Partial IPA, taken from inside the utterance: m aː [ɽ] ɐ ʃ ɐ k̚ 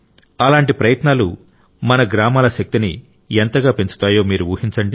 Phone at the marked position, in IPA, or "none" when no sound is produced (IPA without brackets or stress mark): l